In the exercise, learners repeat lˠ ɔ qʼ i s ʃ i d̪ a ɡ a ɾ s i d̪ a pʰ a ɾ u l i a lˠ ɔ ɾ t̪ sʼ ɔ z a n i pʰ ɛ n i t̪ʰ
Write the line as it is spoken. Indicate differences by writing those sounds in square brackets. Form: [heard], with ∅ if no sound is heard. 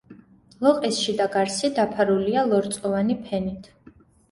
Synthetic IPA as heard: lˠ ɔ qʼ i s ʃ i d̪ a ɡ a ɾ s i d̪ a pʰ a ɾ u l i a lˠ ɔ ɾ t̪ sʼ ɔ [v] a n i pʰ ɛ n i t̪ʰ